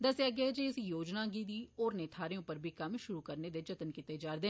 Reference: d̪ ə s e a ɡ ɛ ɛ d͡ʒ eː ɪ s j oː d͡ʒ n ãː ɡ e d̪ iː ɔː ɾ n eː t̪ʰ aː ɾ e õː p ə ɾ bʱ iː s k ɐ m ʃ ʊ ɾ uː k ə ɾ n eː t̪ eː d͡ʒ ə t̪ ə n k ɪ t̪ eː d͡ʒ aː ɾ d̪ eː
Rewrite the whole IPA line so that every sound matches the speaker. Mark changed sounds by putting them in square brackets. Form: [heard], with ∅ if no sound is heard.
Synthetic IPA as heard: d̪ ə s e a ɡ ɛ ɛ d͡ʒ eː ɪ s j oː d͡ʒ n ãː ɡ [i] d̪ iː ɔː ɾ n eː t̪ʰ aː ɾ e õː p ə ɾ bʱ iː [∅] k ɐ m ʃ ʊ ɾ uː k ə ɾ n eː [d̪] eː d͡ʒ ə t̪ ə n k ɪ t̪ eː d͡ʒ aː ɾ d̪ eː